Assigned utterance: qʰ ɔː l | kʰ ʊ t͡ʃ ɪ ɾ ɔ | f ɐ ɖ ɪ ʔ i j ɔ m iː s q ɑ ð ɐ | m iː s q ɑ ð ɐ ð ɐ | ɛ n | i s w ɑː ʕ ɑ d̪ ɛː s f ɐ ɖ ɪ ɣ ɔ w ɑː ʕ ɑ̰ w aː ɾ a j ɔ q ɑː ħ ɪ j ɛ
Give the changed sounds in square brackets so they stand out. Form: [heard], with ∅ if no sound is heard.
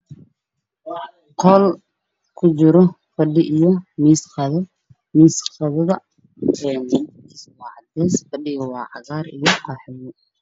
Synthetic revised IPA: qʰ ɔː l | kʰ ʊ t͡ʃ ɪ ɾ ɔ | f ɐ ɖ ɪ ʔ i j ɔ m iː s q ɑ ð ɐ | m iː s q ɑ ð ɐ ð ɐ | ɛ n | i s w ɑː ʕ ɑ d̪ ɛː s f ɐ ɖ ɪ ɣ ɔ w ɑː ʕ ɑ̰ [ɣ] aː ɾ [i] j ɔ q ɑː ħ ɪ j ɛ